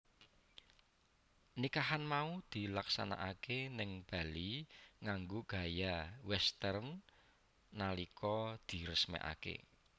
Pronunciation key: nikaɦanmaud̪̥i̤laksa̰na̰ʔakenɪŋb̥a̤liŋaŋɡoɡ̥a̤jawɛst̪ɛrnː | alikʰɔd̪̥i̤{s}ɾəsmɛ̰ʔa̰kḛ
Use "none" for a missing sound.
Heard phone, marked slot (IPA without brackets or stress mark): none